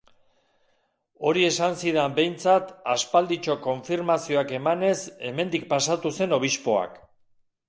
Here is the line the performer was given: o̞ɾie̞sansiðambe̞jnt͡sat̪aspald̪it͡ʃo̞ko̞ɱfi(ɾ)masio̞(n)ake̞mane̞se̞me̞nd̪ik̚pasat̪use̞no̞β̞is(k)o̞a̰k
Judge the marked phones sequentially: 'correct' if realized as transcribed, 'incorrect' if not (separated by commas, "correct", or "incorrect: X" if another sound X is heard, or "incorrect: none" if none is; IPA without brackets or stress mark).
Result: correct, incorrect: none, incorrect: p